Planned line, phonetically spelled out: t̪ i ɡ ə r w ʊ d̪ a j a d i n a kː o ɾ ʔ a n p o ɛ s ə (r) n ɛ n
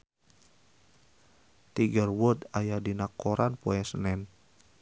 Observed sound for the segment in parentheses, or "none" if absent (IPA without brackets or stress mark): none